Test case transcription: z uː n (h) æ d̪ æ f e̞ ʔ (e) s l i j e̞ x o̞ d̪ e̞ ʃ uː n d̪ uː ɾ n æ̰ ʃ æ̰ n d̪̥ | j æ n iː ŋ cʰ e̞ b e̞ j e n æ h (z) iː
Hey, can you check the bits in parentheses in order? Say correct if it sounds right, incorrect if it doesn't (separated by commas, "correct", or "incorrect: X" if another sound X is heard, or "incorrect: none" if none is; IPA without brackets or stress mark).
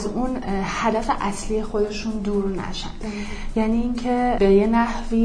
correct, incorrect: æ, incorrect: v